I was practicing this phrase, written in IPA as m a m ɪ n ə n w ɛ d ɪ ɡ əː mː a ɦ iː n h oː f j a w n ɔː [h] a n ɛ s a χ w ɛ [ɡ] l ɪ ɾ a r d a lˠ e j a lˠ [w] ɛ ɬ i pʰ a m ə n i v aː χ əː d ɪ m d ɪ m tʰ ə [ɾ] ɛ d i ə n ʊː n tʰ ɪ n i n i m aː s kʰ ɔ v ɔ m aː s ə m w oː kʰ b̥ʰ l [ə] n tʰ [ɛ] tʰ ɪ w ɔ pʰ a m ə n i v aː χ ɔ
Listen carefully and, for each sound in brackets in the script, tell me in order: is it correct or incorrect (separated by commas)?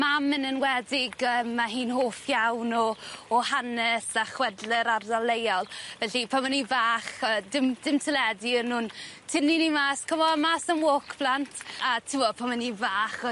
correct, incorrect, incorrect, incorrect, incorrect, incorrect